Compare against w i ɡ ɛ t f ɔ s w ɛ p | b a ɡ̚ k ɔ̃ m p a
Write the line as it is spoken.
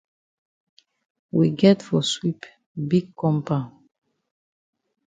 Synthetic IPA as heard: w i ɡ ɛ t f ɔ s w i p | b i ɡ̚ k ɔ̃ m p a

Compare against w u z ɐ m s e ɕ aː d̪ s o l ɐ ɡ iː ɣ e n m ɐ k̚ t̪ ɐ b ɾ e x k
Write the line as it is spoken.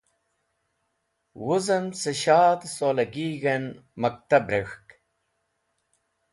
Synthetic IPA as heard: w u z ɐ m s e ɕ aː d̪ s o l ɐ ɡ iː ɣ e n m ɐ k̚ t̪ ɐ b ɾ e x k

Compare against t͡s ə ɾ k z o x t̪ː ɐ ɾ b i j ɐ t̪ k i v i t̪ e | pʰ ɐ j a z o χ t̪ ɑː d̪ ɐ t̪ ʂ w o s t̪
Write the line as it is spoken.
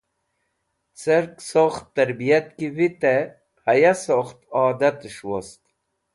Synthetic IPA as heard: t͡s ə ɾ k s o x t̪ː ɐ ɾ b i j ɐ t̪ k i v i t̪ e | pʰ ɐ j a s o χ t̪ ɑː d̪ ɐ t̪ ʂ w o s t̪

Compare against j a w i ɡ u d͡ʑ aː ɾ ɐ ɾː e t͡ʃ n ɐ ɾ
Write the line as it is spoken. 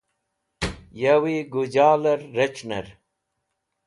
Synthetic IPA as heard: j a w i ɡ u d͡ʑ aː l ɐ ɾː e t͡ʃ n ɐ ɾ

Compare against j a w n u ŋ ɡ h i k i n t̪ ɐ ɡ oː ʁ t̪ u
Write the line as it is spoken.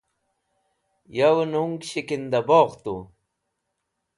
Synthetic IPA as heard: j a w n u ŋ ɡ ɕ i k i n d̪ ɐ b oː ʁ t̪ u

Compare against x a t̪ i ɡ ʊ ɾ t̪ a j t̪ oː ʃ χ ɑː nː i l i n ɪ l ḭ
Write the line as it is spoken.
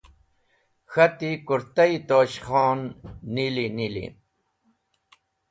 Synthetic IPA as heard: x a t̪ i k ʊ ɾ t̪ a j t̪ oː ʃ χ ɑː nː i l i n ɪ l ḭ

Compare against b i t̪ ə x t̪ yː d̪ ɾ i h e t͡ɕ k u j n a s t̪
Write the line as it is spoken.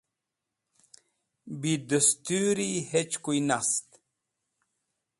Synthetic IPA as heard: b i d̪ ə s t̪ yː ɾ i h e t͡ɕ k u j n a s t̪

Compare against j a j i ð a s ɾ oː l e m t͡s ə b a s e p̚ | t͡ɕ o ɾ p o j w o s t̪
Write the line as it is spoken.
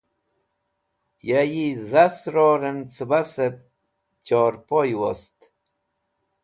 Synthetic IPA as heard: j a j i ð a s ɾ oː ɾ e n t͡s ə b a s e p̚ | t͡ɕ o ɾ p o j w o s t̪

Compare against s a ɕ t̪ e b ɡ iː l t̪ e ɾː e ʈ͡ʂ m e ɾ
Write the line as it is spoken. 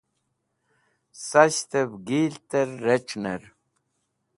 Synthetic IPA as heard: s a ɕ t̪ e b ɡ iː l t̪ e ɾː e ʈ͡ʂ n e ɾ

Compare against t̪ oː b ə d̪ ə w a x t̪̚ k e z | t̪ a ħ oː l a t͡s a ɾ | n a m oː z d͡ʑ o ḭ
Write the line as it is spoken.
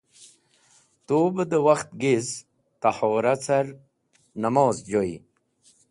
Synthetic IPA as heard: t̪ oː b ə d̪ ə w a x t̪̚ ɡ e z | t̪ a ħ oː ɾ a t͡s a ɾ | n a m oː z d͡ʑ o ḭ

